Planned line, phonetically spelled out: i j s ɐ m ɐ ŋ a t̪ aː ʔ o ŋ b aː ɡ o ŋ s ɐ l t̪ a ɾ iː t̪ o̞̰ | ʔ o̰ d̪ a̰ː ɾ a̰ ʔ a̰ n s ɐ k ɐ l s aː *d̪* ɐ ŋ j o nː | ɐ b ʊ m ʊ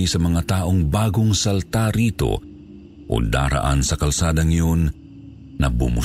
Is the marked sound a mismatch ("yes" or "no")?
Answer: no